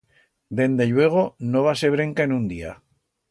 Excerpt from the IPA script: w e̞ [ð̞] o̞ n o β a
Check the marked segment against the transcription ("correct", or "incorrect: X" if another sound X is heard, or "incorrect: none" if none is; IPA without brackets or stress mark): incorrect: ɣ̞